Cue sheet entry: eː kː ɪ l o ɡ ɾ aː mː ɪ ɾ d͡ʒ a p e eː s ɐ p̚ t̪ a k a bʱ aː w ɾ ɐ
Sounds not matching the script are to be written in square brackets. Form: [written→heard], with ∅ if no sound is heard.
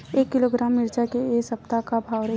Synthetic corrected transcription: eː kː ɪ l o ɡ ɾ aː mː ɪ ɾ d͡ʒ a [p→k] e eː s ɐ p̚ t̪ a k a bʱ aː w ɾ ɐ